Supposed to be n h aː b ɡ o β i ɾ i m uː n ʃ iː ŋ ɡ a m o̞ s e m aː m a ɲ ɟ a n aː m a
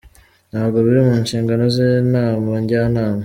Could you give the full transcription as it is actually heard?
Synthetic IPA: n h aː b ɡ o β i ɾ i m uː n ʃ iː ŋ ɡ a n o̞ z e n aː m a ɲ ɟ a n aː m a